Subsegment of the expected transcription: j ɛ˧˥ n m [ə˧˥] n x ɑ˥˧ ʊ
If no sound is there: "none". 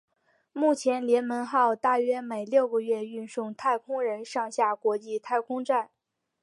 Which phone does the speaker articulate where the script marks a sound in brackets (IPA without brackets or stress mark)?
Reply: ə˧˥